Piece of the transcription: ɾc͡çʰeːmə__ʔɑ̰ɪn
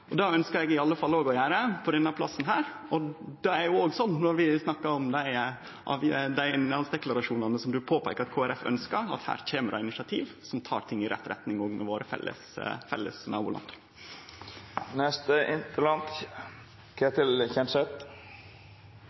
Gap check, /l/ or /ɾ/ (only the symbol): ɾ